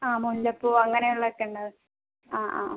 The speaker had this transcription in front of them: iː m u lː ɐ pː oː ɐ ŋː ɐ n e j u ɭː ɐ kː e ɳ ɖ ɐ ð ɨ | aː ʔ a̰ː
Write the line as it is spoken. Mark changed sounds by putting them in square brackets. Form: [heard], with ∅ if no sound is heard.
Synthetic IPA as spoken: [aː] m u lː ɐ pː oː ɐ ŋː ɐ n e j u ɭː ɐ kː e ɳ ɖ ɐ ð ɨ | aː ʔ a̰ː